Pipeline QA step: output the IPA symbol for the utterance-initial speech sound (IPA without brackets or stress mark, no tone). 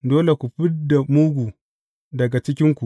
d